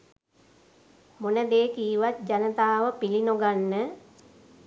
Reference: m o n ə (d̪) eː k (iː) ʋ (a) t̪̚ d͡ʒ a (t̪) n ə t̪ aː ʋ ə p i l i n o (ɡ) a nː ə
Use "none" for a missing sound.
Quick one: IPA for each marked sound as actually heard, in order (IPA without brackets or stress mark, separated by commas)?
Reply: d̪, iː, a, none, ɡ